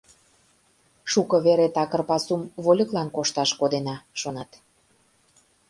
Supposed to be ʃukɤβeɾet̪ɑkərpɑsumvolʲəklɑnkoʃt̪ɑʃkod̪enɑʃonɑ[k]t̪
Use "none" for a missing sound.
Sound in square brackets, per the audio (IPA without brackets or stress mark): none